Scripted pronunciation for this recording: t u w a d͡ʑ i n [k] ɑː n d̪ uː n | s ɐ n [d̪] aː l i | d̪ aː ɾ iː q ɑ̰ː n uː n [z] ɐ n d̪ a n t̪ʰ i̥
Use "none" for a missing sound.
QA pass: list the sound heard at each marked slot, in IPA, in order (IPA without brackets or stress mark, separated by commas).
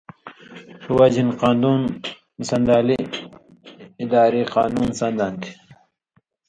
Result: q, d̪, s